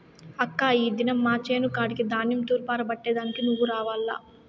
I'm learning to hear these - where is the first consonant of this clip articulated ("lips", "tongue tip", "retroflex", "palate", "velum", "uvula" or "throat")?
velum